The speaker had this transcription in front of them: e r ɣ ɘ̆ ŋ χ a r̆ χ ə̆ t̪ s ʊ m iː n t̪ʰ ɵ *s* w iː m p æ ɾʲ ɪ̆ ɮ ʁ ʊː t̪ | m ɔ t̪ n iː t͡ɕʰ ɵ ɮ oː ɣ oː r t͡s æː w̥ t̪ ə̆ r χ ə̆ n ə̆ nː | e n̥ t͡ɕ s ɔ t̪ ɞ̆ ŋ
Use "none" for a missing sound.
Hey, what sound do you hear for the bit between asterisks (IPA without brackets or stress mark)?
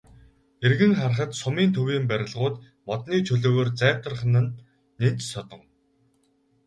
none